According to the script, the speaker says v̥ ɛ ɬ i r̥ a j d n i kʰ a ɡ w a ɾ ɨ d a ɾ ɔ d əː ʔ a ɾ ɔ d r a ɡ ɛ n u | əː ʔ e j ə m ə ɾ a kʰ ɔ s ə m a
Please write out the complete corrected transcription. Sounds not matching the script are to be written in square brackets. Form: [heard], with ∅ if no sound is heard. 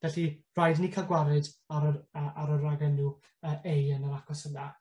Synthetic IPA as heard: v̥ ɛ ɬ i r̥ a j d n i kʰ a ɡ w a ɾ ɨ d a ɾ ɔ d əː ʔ a ɾ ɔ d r a ɡ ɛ n u | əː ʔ e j ə [n] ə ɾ a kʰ ɔ s ə [n] a

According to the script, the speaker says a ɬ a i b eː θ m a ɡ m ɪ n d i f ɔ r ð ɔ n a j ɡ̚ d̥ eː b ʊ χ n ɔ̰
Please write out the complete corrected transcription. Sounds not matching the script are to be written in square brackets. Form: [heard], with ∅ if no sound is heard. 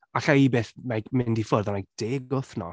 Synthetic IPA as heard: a ɬ a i b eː θ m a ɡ m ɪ n d i f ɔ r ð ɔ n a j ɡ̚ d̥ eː [ɡ] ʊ [θ] n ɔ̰

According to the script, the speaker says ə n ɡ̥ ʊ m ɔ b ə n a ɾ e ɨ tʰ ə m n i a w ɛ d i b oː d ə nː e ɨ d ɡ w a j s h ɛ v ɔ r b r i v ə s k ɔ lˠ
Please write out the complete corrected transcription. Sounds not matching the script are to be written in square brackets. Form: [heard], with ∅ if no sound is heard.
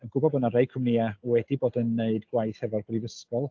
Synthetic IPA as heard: ə n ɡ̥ ʊ [b] ɔ b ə n a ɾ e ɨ [kʰ] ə m n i a w ɛ d i b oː d ə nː e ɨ d ɡ w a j [θ] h ɛ v ɔ r b r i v ə s k ɔ lˠ

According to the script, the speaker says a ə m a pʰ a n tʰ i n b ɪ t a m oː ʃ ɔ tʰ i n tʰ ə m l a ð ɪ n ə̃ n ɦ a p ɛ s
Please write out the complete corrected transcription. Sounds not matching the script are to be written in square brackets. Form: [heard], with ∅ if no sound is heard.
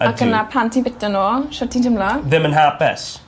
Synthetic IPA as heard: a ə [n] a pʰ a n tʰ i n b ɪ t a [n] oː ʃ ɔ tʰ i n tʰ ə m l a ð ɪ [m] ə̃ n ɦ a p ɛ s

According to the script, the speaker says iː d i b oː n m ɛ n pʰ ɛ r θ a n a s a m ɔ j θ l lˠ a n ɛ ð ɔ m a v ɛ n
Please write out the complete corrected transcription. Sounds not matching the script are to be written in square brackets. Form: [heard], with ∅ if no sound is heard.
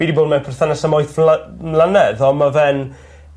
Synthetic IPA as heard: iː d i b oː [d] m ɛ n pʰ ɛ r θ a n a s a m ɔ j θ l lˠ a n ɛ ð ɔ m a v ɛ n

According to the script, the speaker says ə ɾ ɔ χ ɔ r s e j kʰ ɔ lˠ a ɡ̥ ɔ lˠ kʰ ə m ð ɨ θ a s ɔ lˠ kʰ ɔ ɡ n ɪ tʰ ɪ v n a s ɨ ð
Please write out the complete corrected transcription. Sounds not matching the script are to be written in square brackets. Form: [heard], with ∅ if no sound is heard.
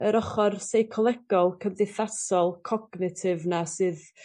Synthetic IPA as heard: ə ɾ ɔ χ ɔ r s e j kʰ ɔ lˠ [ɛ] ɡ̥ ɔ lˠ kʰ ə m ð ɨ θ a s ɔ lˠ kʰ ɔ ɡ n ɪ tʰ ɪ v n a s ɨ ð

